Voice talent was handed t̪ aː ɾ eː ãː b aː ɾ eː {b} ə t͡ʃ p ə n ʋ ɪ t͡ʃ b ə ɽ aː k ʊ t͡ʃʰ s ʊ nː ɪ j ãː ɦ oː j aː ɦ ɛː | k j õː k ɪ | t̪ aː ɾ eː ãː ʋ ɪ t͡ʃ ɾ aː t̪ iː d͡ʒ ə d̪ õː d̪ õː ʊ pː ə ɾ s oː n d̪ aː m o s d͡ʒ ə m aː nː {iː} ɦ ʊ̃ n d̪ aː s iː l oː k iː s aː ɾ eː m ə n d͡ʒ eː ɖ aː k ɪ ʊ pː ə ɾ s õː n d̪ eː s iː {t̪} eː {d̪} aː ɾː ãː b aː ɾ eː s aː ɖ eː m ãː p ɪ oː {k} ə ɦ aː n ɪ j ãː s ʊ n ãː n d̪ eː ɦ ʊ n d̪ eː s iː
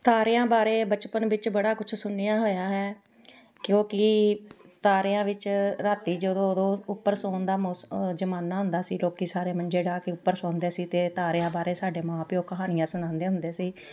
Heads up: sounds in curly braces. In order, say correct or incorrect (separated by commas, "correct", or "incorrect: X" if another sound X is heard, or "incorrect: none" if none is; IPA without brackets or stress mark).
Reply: correct, incorrect: aː, correct, incorrect: t̪, correct